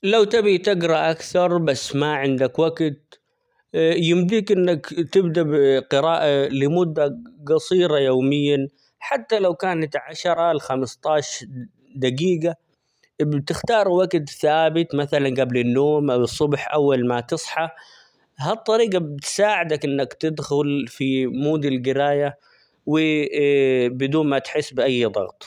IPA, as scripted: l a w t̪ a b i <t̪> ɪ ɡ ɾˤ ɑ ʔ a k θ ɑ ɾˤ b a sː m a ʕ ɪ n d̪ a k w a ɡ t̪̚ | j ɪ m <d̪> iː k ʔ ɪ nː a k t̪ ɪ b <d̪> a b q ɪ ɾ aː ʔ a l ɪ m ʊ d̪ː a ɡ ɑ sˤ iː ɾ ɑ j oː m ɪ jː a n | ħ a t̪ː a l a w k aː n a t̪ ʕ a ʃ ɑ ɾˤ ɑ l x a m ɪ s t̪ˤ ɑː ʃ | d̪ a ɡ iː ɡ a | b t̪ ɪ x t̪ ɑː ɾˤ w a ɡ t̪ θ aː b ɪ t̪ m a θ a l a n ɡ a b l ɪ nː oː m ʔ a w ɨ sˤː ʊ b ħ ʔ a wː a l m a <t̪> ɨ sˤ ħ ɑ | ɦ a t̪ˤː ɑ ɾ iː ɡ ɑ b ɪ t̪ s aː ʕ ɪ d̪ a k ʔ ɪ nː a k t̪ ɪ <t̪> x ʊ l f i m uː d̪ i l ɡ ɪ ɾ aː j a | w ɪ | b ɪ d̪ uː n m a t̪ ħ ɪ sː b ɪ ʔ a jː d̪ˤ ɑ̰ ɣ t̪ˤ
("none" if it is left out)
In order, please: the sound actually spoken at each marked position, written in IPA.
t̪, d̪, d̪, t̪, d̪

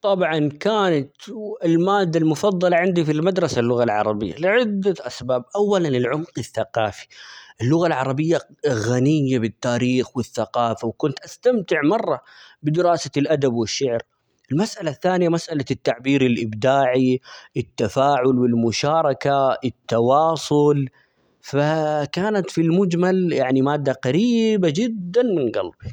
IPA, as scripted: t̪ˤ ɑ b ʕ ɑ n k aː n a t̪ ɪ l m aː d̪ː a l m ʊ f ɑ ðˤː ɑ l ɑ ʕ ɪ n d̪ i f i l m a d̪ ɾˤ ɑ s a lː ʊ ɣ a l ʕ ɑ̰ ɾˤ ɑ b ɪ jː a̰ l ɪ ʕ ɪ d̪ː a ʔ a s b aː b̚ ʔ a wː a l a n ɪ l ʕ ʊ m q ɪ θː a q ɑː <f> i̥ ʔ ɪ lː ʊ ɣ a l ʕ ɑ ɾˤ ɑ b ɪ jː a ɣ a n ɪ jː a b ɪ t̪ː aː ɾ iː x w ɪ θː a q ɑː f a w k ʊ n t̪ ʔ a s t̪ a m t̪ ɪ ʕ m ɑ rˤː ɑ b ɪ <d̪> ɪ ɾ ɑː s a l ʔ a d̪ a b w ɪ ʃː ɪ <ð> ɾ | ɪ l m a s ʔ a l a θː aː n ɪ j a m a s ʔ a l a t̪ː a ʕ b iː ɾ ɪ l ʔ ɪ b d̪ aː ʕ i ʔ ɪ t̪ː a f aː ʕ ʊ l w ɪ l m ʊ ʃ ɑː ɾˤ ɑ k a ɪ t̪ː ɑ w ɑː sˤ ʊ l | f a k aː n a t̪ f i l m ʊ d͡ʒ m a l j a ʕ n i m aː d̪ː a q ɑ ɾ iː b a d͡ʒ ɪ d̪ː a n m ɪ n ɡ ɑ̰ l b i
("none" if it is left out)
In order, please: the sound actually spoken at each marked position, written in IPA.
f, d̪, ʕ

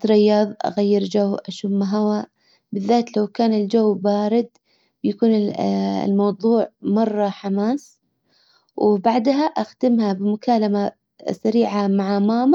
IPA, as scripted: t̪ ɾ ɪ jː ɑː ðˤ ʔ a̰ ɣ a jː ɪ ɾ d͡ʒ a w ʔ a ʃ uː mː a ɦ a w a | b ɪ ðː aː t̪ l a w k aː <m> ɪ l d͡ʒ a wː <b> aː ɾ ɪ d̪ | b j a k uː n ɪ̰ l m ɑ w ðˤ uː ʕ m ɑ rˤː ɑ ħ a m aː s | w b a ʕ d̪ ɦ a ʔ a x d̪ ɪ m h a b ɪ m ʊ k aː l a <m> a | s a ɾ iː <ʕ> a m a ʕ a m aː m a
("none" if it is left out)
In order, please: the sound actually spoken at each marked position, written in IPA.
n, b, m, ʕ

